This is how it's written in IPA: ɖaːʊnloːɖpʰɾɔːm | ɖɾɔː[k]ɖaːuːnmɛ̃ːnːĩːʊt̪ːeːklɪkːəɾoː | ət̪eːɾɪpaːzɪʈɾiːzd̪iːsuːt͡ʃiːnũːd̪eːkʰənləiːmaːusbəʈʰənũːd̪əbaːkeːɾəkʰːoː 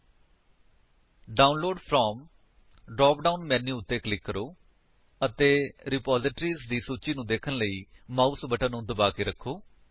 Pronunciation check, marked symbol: incorrect: p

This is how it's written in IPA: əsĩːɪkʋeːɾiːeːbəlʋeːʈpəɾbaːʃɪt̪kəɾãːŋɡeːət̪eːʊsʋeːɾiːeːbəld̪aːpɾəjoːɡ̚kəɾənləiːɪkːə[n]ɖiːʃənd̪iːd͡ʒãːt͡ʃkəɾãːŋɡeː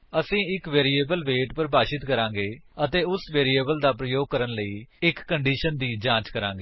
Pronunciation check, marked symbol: incorrect: ɳ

